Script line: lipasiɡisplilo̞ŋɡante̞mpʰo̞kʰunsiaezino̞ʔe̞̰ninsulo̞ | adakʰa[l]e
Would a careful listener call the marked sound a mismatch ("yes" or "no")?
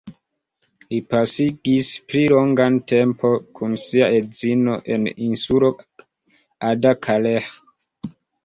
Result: no